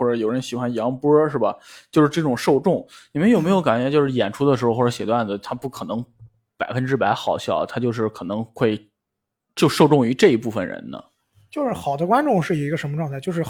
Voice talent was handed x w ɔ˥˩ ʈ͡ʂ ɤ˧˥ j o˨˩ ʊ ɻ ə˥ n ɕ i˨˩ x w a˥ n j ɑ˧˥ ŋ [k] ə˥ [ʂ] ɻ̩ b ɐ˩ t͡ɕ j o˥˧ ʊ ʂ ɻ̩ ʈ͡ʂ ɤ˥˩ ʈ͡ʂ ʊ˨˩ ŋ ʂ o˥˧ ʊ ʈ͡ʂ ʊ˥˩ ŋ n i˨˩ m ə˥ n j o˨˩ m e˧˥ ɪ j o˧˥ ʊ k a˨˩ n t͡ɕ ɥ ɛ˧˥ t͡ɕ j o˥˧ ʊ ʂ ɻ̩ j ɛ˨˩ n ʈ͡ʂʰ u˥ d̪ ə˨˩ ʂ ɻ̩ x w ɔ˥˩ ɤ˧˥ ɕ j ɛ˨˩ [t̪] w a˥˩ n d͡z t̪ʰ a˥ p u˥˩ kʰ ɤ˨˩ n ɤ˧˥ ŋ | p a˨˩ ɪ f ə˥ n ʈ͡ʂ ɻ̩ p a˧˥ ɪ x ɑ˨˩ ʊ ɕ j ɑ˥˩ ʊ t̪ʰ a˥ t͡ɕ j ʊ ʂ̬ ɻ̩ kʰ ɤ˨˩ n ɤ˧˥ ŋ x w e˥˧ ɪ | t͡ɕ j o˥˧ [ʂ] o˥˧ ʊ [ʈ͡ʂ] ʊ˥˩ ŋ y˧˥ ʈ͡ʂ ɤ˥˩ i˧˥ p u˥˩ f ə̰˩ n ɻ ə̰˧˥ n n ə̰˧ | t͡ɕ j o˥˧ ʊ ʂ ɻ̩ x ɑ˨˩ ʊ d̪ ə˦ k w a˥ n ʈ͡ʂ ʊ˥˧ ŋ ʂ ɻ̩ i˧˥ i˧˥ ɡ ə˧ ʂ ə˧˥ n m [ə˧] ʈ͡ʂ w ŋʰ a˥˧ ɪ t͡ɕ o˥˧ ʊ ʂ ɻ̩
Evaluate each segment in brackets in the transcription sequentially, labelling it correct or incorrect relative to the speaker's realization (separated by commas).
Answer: incorrect, correct, correct, correct, correct, correct